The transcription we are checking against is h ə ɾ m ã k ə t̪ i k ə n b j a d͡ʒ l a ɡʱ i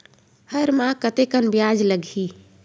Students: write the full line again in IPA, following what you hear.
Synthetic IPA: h ə ɾ m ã k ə t̪ e k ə n b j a d͡ʒ l ə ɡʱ i